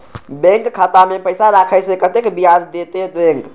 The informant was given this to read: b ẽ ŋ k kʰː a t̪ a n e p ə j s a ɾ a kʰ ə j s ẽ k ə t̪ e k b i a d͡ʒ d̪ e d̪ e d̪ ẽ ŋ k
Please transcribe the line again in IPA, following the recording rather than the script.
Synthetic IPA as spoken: b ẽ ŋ k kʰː a t̪ a m e p ə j s a ɾ a kʰ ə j s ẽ k ə t̪ e k b i a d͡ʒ d̪ e t̪ e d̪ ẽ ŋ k